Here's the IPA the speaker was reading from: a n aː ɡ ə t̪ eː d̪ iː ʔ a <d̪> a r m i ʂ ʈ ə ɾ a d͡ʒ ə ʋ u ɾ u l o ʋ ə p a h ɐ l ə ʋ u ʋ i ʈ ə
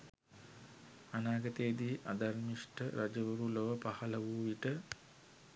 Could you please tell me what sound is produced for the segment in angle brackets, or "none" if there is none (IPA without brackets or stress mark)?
d̪